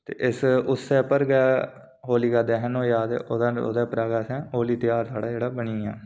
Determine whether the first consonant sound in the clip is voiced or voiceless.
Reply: voiceless